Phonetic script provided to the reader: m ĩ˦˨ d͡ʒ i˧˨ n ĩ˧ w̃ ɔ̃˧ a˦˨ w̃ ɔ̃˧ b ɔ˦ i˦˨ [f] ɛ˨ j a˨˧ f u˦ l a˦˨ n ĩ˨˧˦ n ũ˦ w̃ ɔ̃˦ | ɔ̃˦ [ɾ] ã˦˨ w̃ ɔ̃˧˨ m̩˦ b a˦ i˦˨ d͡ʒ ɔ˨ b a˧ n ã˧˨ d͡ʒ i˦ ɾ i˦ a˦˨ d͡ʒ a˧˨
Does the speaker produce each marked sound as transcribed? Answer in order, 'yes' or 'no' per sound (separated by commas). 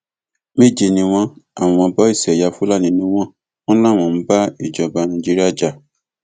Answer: no, no